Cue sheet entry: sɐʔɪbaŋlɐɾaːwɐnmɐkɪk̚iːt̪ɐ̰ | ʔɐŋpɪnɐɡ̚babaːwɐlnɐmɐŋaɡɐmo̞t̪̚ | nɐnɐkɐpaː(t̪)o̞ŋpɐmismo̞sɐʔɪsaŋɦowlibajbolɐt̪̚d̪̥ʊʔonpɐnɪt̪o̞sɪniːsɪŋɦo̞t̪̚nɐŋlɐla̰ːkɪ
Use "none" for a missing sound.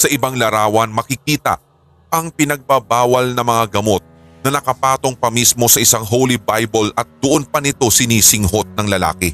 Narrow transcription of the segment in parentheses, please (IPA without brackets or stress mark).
t̪